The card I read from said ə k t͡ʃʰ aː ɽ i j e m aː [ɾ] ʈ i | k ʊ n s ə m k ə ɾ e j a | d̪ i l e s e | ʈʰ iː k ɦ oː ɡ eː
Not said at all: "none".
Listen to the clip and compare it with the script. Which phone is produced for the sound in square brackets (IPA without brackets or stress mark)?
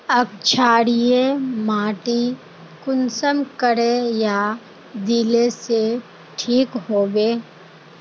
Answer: none